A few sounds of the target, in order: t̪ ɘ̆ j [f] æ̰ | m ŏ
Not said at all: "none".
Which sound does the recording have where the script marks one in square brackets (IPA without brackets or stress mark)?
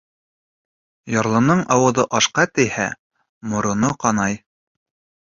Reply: h